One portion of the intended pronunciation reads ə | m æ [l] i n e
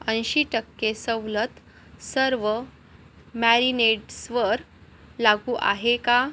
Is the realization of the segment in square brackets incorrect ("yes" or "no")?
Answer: yes